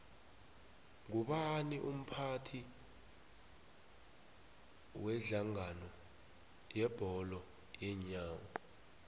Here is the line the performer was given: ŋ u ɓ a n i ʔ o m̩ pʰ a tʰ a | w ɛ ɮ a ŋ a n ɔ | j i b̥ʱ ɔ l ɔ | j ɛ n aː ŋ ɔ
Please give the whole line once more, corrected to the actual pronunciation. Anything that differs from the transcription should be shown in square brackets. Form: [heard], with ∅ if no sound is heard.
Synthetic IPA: ŋ u ɓ a n i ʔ [u] m̩ pʰ a tʰ [i] | w ɛ ɮ a ŋ a n ɔ | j [ɛ] b̥ʱ ɔ l ɔ | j ɛ [ɲ] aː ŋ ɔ